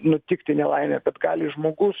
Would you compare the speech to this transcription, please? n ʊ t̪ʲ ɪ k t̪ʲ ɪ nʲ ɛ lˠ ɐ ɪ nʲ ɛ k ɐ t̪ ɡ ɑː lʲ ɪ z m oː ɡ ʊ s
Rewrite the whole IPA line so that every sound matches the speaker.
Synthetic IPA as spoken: n ʊ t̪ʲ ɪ k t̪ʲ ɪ nʲ ɛ lˠ ɐ ɪ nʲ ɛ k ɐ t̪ ɡ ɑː lʲ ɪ ʒ m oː ɡ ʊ s